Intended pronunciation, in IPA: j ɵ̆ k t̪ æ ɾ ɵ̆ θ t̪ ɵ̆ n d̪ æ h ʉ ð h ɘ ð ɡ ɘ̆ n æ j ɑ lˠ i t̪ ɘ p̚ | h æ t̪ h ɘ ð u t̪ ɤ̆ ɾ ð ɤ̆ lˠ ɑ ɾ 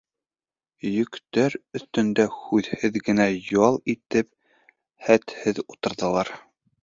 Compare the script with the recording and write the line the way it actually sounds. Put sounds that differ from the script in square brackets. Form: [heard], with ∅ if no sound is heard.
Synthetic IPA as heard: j ɵ̆ k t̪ æ ɾ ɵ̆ θ t̪ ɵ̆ n d̪ æ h ʉ ð h ɘ ð ɡ ɘ̆ n æ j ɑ lˠ i t̪ ɘ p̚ | h æ t̪ h ɘ ð u t̪ ɤ̆ ɾ ð ɤ̆ lˠ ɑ ɾ